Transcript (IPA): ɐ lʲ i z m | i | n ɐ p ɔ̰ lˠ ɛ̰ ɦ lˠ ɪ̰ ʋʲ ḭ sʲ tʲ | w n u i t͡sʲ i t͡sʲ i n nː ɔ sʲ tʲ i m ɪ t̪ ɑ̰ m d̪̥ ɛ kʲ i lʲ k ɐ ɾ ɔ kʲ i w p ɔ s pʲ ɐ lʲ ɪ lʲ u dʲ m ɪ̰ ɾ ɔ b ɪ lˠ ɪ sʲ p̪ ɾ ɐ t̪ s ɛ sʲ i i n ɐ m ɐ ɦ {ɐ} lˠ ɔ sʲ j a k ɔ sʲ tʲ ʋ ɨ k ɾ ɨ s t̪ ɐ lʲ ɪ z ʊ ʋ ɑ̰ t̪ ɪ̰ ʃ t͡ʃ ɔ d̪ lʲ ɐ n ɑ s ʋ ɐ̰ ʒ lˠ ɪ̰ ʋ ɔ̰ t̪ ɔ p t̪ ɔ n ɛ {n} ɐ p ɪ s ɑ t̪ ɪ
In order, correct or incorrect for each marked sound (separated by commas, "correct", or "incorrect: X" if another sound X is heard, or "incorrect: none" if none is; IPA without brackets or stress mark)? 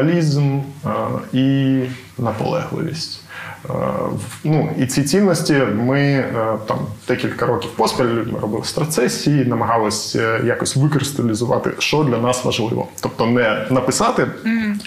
incorrect: ɑ, correct